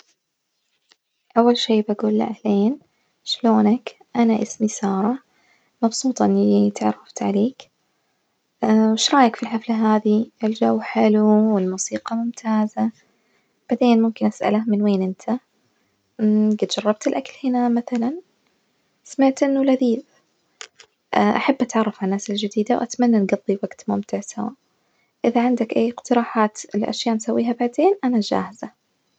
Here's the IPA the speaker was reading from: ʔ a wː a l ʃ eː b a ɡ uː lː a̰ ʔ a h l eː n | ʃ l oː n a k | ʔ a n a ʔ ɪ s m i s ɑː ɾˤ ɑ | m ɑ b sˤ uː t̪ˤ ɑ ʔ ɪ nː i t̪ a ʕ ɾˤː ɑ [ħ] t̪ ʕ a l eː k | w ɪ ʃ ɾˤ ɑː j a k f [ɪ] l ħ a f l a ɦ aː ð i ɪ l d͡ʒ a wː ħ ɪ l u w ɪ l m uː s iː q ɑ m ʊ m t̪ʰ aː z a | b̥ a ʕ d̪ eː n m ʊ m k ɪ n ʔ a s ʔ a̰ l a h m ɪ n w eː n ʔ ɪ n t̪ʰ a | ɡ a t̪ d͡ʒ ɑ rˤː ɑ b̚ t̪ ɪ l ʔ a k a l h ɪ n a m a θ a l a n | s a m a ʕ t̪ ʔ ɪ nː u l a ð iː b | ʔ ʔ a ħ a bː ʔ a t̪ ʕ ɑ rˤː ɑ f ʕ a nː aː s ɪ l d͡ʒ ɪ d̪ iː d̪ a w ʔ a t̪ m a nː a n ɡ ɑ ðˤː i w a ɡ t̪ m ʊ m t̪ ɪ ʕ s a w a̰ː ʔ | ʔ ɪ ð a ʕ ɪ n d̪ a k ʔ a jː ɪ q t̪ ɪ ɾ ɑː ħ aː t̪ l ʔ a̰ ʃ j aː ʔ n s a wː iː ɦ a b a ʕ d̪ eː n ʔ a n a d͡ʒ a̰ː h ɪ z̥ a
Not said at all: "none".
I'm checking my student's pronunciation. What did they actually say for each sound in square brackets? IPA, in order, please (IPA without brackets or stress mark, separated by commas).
f, i